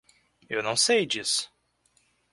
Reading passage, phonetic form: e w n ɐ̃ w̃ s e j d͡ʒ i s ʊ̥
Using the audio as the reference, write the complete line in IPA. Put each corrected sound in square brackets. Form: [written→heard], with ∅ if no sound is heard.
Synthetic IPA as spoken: e w n ɐ̃ w̃ s e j d͡ʒ i s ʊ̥